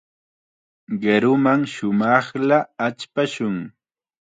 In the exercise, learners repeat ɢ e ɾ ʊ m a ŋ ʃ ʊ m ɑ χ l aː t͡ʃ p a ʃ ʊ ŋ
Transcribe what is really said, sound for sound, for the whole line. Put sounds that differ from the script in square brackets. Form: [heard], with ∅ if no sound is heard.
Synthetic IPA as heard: ɢ e ɾ ʊ m a ŋ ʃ ʊ m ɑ χ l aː t͡ʃ p a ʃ ʊ ŋ